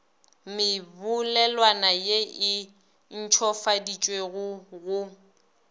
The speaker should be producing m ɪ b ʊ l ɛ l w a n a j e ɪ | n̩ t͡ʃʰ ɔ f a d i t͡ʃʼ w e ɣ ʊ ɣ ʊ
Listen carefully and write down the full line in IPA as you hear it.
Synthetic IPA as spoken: m ɪ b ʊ l ɛ l w a n a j e ɪ | n̩ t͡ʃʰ ɔ f a d i t͡ʃʼ w e ɣ ʊ ɣ ʊ